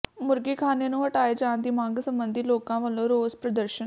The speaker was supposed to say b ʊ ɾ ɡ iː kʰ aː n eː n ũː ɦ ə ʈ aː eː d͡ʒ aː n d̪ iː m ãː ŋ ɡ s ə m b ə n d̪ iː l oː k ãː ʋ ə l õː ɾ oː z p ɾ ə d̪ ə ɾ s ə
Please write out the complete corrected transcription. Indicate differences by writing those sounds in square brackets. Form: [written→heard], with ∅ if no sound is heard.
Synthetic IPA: [b→m] ʊ ɾ ɡ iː kʰ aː n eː n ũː ɦ ə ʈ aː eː d͡ʒ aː n d̪ iː m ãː ŋ ɡ s ə m b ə n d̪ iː l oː k ãː ʋ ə l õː ɾ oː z p ɾ ə d̪ ə ɾ [s→ʃ] ə